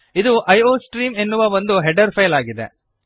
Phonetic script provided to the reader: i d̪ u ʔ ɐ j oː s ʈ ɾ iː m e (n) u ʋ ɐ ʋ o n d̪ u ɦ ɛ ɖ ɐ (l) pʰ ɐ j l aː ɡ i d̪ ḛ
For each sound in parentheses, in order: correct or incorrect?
incorrect: nː, incorrect: ɾ

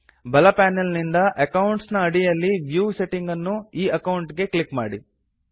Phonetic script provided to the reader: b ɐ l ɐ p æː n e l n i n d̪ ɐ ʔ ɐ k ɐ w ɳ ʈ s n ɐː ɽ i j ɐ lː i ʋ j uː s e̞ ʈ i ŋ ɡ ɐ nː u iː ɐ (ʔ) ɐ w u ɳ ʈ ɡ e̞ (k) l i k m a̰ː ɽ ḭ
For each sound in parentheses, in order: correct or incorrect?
incorrect: k, correct

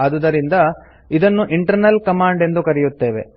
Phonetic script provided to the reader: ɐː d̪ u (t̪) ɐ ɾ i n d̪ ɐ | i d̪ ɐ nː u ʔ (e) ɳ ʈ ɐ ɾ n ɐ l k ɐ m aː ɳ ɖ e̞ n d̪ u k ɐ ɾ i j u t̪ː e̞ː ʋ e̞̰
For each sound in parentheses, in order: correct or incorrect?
incorrect: d̪, incorrect: i

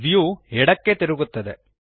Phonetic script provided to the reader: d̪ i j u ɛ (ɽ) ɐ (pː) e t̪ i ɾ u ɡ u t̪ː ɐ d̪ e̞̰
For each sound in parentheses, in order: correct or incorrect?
correct, incorrect: kː

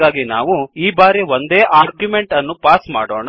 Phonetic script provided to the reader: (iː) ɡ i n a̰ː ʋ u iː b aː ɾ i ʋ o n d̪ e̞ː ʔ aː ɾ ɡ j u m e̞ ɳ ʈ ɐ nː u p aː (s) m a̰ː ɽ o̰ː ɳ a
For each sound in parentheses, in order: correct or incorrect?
incorrect: aː, correct

